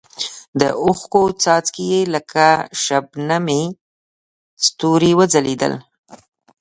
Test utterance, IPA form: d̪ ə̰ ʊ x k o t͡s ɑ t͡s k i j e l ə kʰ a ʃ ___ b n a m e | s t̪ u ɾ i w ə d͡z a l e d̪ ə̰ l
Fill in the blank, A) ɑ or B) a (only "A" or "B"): B